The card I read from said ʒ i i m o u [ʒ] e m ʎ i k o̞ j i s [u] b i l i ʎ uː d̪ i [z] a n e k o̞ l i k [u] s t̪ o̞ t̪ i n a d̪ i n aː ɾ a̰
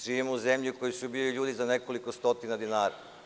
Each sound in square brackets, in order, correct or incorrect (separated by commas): incorrect, correct, correct, incorrect